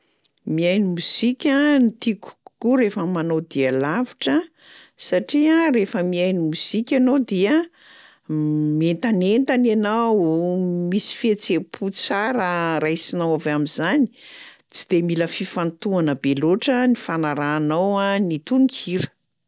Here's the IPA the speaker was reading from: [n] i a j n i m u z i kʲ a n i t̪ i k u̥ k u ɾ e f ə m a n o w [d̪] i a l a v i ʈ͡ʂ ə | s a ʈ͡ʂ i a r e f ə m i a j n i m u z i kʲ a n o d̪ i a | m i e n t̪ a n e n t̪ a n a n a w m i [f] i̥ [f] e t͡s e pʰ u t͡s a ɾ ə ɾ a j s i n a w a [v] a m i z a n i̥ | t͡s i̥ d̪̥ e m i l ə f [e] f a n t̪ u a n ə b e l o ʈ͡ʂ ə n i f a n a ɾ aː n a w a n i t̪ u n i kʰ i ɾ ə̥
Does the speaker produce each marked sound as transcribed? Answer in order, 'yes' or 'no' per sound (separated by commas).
no, yes, no, yes, yes, no